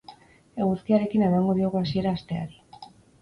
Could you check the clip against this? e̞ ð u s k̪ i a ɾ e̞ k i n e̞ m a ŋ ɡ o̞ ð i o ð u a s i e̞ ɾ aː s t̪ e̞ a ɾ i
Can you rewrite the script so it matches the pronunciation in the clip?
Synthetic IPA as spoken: e̞ ɣ u s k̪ i a ɾ e̞ k i n e̞ m a ŋ ɡ o̞ ð i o ɣ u a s i e̞ ɾ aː s t̪ e̞ a ɾ i